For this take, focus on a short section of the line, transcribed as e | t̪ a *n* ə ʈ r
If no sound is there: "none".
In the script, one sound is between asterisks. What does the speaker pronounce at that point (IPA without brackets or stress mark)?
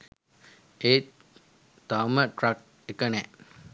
m